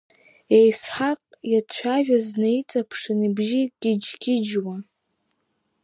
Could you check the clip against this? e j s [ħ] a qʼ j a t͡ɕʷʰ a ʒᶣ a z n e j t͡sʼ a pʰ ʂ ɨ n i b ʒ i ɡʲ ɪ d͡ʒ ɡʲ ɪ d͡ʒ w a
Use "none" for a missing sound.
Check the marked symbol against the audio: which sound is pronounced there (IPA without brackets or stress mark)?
ħ